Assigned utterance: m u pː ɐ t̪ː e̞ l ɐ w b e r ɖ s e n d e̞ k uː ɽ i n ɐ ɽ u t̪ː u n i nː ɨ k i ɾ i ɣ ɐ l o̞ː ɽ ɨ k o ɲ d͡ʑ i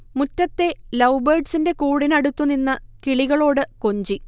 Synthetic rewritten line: m u tː ɐ t̪ː e̞ l ɐ w b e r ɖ s i n d e̞ k uː ɽ i n ɐ ɽ u t̪ː u n i nː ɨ k i ɭ i ɣ ɐ ɭ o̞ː ɽ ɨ k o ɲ d͡ʑ i